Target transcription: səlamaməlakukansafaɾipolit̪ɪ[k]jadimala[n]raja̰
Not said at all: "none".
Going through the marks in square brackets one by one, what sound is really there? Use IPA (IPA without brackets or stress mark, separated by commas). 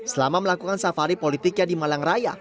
k, ŋ